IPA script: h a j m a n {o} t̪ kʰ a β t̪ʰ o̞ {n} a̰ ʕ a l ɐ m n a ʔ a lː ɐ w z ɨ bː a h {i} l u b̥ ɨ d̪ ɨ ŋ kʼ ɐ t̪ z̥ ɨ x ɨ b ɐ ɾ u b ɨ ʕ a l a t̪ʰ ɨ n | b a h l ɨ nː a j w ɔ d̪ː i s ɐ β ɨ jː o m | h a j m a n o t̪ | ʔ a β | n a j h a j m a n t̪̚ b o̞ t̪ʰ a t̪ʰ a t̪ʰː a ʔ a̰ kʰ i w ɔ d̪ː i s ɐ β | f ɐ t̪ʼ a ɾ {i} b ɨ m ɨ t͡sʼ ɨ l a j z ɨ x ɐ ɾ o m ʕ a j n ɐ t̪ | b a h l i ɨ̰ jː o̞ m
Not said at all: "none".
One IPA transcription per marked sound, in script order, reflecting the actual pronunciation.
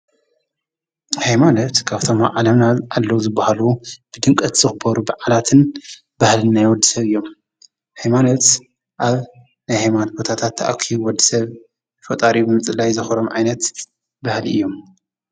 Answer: o, m, a, i

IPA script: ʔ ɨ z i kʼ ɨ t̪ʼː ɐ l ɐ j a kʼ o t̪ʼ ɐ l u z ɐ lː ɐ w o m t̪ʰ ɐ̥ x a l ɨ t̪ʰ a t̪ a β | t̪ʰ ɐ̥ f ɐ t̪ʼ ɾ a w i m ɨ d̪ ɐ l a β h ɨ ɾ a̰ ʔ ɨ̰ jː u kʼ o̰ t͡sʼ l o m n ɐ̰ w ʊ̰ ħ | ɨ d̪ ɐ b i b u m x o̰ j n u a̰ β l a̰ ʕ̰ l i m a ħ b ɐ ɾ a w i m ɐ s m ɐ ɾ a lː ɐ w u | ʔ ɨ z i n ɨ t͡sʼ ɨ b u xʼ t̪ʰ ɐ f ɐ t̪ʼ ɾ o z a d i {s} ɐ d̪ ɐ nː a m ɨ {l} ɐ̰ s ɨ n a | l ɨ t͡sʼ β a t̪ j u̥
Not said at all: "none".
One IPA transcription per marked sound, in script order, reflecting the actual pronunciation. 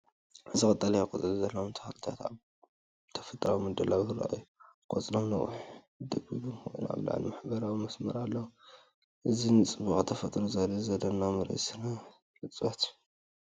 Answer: z, ɾ

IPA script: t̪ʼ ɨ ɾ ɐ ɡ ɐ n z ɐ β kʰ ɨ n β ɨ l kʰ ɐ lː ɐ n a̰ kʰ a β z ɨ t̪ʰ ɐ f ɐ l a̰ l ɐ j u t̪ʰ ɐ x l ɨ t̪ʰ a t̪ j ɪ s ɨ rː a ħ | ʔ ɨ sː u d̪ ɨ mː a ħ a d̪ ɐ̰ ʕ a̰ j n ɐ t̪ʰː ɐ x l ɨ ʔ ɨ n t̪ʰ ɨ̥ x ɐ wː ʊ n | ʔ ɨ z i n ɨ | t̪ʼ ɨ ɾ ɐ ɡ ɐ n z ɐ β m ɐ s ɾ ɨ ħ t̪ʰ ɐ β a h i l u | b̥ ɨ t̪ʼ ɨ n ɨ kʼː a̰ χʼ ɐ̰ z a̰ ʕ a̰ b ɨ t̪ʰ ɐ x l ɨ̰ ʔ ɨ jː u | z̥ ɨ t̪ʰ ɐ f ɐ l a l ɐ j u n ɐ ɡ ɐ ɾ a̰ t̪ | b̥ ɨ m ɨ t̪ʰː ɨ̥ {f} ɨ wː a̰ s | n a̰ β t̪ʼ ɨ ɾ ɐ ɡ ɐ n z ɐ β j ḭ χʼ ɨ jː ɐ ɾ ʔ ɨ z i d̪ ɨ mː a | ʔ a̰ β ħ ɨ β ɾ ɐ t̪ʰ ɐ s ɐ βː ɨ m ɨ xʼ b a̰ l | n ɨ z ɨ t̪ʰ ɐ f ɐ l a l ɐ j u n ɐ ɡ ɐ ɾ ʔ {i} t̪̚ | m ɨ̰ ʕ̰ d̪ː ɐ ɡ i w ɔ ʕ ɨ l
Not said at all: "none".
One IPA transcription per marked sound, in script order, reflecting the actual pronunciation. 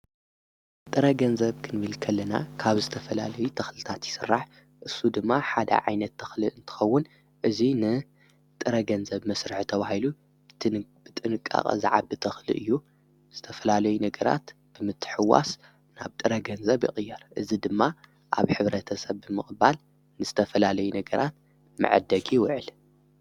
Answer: ħ, a

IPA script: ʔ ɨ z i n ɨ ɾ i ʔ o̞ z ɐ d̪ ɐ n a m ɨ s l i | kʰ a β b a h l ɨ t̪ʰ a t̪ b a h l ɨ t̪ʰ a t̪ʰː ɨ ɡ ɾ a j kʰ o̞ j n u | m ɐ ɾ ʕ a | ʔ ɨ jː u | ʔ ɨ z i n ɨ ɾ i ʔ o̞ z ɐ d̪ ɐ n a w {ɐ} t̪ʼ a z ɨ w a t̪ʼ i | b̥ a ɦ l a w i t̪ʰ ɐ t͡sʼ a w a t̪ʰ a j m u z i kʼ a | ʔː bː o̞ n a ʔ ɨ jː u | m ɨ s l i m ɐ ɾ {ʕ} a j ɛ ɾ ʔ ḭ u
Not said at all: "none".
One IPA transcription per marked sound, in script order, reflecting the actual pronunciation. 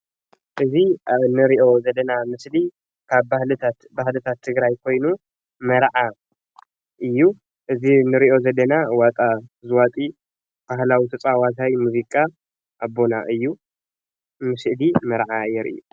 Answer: a, ʕ

